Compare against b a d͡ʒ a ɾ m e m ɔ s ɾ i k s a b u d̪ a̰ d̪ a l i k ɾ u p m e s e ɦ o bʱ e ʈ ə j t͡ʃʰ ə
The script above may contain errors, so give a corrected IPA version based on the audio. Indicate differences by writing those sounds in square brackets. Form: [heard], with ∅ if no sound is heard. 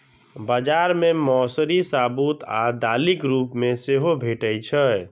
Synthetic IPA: b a d͡ʒ a ɾ m e m ɔ s ɾ i [∅] s a b u [t̪] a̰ d̪ a l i k ɾ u p m e s e ɦ o bʱ e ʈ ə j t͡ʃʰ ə